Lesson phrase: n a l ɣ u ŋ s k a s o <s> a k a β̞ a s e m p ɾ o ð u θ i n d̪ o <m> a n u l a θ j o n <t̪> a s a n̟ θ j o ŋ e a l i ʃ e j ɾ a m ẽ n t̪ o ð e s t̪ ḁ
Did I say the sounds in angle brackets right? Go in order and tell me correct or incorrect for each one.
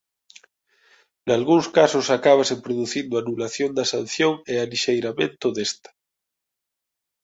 correct, incorrect, incorrect

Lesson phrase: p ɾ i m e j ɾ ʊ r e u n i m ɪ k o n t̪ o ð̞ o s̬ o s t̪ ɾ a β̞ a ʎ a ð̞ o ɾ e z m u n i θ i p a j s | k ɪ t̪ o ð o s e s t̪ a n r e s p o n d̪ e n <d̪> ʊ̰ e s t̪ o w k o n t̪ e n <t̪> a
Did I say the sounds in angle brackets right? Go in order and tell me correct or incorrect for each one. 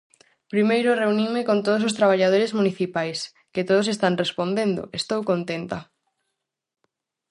correct, correct

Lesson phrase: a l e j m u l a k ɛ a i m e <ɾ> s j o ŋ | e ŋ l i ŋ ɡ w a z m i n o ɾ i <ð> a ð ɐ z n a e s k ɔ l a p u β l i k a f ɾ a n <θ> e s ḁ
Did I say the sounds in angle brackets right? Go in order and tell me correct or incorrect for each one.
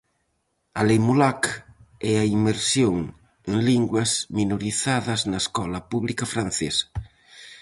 correct, incorrect, correct

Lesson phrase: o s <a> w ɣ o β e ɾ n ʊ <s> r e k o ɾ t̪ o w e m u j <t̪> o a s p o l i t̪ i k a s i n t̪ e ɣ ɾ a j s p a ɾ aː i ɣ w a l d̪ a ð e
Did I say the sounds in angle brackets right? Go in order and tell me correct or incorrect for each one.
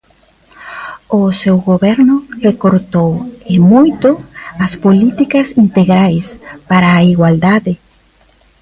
incorrect, incorrect, correct

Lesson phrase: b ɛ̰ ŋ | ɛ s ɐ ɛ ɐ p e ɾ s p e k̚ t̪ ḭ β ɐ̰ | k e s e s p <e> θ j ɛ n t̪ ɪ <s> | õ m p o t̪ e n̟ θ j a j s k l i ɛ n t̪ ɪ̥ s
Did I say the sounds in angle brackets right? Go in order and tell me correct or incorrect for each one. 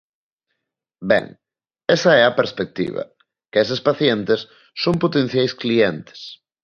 incorrect, incorrect

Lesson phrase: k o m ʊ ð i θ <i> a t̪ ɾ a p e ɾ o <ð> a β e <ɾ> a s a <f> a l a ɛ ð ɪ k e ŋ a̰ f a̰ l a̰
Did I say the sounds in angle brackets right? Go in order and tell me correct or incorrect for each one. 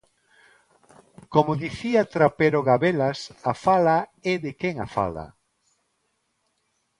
correct, incorrect, incorrect, correct

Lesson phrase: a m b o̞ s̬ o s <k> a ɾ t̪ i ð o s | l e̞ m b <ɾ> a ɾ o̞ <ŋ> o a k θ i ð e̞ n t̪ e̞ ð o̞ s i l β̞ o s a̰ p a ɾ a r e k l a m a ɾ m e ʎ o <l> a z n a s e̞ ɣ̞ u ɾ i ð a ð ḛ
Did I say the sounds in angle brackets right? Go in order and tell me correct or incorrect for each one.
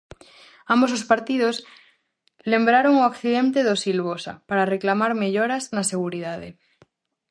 incorrect, correct, correct, incorrect

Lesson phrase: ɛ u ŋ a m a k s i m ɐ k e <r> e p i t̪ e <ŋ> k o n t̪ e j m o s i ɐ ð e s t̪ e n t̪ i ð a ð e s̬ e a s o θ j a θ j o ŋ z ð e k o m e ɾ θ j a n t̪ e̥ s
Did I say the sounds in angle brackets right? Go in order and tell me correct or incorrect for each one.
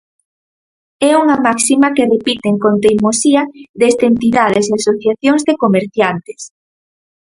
correct, correct

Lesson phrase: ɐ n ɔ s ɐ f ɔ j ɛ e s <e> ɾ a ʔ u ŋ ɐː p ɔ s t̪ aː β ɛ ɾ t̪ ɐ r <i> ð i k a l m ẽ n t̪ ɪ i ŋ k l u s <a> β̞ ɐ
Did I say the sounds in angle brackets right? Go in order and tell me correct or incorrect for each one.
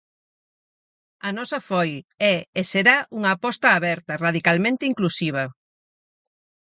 correct, incorrect, incorrect

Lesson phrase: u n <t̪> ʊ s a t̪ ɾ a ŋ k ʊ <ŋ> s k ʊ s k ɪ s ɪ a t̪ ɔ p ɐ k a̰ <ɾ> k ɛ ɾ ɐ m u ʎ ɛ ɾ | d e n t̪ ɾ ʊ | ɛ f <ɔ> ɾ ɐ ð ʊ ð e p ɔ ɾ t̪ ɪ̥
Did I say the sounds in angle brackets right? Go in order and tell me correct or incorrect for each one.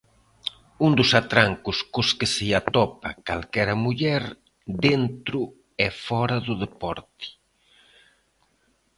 incorrect, incorrect, incorrect, correct

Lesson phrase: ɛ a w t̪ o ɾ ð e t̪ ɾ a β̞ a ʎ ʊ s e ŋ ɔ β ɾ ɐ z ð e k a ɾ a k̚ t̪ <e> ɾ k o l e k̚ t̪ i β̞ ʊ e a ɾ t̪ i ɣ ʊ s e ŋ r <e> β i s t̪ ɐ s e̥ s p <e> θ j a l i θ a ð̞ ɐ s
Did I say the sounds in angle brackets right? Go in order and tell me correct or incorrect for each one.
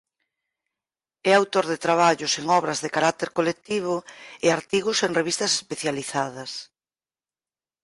correct, correct, correct

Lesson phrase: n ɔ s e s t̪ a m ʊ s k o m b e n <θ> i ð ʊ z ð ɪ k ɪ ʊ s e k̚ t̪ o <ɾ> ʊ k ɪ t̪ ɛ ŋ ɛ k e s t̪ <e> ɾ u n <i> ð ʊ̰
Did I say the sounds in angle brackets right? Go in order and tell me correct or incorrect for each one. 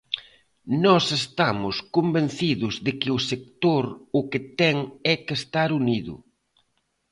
correct, correct, incorrect, correct

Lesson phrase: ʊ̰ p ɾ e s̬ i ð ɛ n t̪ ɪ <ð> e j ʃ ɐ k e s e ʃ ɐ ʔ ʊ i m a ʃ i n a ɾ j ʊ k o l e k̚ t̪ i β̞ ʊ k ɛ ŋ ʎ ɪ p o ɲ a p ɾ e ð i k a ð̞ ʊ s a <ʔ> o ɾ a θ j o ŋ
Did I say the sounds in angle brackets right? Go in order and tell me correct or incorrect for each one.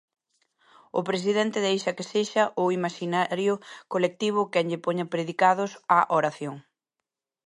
correct, correct

